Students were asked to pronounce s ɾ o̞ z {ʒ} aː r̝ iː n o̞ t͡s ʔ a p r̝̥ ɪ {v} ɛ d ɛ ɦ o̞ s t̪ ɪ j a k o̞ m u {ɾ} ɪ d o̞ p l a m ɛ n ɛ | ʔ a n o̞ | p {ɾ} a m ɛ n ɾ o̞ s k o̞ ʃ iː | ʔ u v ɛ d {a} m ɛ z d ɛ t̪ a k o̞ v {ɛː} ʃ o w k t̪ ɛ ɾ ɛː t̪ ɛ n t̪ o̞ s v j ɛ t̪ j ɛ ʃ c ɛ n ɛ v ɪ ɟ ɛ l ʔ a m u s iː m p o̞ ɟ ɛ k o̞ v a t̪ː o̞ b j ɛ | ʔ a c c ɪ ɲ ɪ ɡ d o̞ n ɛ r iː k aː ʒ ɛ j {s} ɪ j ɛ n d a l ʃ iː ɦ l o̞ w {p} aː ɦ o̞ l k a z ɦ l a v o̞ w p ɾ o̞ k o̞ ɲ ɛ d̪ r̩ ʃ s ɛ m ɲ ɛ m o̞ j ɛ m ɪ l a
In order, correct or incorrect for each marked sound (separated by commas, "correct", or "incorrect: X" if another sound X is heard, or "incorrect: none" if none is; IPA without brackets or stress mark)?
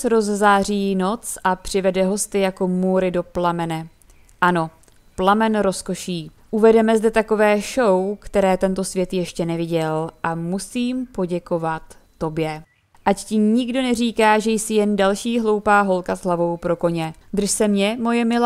incorrect: z, correct, correct, incorrect: l, incorrect: ɛ, correct, correct, correct